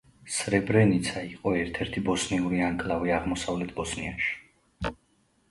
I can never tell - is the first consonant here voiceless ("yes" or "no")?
yes